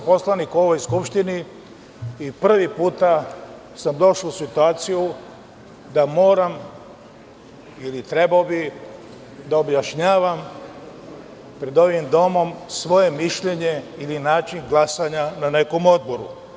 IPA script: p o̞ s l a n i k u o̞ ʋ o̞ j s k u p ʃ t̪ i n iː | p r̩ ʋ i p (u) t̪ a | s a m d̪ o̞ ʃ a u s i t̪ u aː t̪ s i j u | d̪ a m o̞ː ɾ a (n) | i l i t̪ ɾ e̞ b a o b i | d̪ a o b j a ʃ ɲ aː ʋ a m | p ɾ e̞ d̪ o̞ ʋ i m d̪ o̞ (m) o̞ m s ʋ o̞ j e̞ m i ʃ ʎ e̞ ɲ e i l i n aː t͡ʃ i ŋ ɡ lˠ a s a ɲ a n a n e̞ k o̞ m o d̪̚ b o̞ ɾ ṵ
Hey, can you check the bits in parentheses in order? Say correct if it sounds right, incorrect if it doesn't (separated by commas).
incorrect, incorrect, correct